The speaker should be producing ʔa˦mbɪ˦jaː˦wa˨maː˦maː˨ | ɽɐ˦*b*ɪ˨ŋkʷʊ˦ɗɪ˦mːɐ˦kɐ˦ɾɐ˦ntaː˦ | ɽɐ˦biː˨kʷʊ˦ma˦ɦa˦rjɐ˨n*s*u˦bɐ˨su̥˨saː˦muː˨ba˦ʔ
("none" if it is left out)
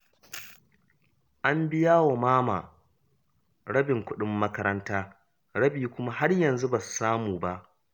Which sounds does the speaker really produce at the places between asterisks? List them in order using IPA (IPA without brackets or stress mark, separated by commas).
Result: b, z